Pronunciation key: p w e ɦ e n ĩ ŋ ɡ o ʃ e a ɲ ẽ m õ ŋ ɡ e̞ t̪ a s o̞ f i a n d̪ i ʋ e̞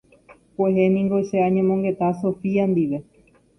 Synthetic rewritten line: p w e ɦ e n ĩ ŋ ɡ o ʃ e a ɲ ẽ m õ ŋ ɡ e̞ t̪ a s o̞ f i a n d̪ i ʋ e̞